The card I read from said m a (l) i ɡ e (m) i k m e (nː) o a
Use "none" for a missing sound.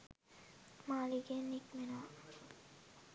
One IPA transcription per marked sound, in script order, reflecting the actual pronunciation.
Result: l, n, n

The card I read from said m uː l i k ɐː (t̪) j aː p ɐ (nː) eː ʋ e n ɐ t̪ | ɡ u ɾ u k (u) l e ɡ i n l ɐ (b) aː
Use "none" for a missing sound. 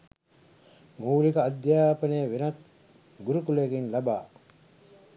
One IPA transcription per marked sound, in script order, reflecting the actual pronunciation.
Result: d̪, n, u, b

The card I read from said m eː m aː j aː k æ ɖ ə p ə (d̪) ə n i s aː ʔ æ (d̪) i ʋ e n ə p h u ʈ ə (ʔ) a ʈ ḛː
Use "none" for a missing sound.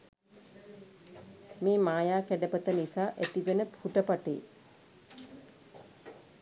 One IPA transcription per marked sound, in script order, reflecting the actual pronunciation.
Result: t̪, t̪, p

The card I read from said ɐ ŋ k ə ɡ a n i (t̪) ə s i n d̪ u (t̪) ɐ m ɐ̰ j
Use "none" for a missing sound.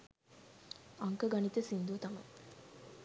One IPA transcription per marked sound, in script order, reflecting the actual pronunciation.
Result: t̪, t̪

